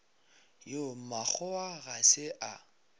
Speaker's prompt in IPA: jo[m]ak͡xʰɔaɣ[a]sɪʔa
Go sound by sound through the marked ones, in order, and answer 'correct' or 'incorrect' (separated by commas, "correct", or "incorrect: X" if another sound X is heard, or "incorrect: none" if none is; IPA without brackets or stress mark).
correct, correct